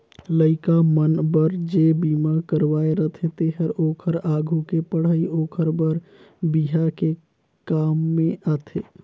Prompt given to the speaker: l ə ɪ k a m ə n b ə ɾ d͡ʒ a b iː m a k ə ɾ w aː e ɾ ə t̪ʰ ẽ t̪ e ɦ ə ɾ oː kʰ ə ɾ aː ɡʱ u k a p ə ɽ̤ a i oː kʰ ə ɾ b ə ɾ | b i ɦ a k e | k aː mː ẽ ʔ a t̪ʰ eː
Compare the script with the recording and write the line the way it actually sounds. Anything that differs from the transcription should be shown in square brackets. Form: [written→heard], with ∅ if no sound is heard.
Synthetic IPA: l ə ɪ k a m ə n b ə ɾ d͡ʒ [a→e] b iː m a k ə ɾ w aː e ɾ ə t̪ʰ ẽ t̪ e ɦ ə ɾ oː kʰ ə ɾ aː ɡʱ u k [a→e] p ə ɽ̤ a i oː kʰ ə ɾ b ə ɾ | b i ɦ a k e | k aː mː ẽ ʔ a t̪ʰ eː